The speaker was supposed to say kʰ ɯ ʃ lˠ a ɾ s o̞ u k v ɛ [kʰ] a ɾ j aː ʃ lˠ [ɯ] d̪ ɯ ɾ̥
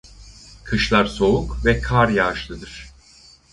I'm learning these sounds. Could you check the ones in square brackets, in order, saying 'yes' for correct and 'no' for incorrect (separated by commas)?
yes, yes